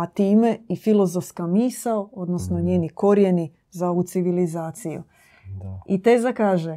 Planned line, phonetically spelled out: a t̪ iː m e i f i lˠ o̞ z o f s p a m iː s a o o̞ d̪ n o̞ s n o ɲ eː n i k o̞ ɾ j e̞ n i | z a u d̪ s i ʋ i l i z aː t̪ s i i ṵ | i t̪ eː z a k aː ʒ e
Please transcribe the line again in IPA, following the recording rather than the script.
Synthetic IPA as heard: a t̪ iː m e i f i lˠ o̞ z o f s k a m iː s a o o̞ d̪ n o̞ s n o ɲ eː n i k o̞ ɾ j e̞ n i | z a u t̪ s i ʋ i l i z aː t̪ s i j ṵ | i t̪ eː z a k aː ʒ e